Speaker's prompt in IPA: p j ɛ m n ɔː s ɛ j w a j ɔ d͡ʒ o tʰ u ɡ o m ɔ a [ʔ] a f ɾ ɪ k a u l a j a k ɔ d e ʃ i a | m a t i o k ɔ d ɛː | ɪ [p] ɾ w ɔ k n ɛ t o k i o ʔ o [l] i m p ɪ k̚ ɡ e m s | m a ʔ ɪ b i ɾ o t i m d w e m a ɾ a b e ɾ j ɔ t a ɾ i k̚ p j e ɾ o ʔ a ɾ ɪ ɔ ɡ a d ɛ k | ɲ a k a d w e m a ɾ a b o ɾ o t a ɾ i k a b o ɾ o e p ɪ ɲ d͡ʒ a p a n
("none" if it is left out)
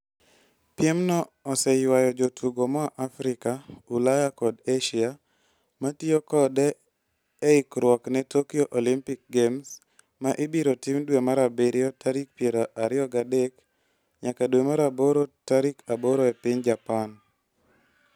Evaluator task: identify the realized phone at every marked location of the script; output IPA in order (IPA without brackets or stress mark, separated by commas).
ʔ, k, l